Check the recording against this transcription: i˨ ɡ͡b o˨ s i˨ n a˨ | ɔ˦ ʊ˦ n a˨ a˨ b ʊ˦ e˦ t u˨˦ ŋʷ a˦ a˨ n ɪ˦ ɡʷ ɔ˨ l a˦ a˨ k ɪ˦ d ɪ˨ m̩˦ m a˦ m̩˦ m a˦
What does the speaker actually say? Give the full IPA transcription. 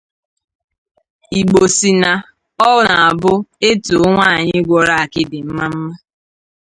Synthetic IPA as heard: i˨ ɡ͡b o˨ s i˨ n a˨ | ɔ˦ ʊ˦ n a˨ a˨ b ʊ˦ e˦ t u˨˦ ŋʷ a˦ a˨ ɲ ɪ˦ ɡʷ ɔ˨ ɾ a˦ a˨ k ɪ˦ d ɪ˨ m̩˦ m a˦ m̩˦ m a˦